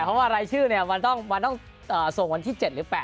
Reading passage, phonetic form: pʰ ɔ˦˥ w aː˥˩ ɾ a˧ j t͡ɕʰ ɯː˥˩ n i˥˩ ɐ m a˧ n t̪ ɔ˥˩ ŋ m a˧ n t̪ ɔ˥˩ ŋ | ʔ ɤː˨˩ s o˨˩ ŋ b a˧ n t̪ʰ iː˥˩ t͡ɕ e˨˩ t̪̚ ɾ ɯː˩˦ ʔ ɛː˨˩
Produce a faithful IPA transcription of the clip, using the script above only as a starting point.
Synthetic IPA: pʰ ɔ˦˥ w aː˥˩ ɾ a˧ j t͡ɕʰ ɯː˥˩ n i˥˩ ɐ m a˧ n t̪ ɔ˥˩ ŋ m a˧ n t̪ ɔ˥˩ ŋ | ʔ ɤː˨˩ s o˨˩ ŋ w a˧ n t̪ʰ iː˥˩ t͡ɕ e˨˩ t̪̚ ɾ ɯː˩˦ p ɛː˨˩

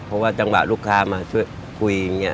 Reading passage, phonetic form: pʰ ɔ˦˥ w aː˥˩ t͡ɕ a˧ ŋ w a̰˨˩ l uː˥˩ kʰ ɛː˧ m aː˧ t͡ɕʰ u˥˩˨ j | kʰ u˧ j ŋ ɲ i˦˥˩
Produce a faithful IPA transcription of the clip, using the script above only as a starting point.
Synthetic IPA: pʰ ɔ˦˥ w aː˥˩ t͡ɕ a˧ ŋ w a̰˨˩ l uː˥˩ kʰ aː˧ m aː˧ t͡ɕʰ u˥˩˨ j | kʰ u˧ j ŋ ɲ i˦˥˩

